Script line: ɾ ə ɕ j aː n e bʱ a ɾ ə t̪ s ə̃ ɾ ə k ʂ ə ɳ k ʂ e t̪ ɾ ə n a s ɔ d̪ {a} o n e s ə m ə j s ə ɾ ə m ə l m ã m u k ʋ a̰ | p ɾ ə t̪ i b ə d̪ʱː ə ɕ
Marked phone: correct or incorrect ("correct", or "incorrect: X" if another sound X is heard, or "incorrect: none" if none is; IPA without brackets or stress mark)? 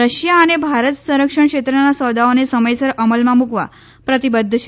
correct